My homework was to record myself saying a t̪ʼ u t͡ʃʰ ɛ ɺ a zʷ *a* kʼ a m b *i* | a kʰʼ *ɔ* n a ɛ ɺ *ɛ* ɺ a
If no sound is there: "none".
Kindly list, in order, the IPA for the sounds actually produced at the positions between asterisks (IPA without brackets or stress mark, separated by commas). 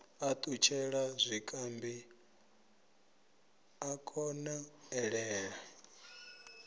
i, i, ɔ, ɛː